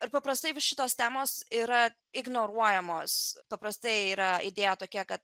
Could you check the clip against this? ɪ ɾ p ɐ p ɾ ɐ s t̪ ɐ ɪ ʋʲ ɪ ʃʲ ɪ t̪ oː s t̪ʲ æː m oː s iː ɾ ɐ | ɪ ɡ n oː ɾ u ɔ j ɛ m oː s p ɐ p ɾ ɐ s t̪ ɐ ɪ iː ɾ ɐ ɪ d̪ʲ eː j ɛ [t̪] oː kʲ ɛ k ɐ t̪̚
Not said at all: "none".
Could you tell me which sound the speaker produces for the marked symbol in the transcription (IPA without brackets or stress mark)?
t̪